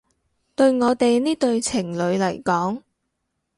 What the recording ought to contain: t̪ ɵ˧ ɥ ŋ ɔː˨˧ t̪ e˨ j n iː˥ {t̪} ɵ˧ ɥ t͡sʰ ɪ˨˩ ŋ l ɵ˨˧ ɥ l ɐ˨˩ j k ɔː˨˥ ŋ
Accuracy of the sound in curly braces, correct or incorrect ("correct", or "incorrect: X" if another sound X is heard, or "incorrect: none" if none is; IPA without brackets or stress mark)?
correct